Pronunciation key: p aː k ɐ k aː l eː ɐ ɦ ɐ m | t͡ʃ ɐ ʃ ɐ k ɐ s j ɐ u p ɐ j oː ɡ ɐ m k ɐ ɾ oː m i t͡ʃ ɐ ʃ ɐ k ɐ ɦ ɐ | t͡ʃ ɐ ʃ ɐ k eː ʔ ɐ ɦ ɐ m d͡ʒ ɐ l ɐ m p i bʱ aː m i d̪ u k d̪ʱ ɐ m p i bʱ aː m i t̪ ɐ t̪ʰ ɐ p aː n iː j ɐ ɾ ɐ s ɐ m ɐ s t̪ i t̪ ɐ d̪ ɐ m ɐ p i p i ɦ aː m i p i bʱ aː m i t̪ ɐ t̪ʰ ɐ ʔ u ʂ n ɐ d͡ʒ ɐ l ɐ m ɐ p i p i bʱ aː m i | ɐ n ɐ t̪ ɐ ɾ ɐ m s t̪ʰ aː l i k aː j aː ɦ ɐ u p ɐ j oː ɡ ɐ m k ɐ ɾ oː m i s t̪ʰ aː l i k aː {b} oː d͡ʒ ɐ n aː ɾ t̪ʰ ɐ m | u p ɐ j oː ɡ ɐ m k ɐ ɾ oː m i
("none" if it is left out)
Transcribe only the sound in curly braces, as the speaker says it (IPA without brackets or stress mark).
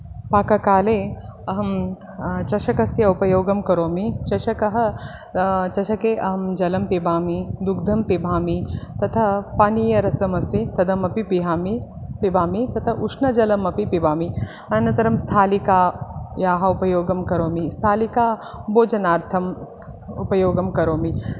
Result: b